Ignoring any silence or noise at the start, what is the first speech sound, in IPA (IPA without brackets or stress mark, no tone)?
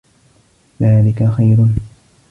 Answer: ð